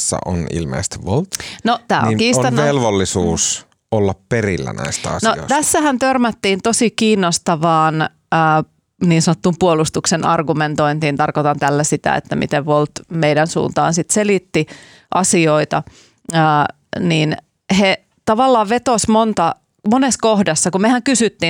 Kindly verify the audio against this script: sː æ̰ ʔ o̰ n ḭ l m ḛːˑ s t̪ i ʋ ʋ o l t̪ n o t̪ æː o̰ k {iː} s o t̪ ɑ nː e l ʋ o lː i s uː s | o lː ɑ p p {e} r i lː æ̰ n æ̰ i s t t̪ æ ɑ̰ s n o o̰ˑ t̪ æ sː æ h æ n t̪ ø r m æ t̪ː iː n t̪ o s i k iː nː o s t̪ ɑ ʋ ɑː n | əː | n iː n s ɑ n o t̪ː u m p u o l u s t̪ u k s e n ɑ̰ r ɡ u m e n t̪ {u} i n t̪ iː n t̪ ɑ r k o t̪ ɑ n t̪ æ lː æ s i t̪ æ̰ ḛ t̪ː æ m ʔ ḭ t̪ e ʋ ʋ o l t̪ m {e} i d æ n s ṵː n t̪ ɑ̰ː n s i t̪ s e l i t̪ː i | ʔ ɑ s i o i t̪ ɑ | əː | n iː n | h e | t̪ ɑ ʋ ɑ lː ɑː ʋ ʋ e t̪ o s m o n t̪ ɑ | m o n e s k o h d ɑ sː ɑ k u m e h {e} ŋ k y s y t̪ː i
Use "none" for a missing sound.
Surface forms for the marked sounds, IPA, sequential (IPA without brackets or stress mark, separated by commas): iː, e, o, e, æ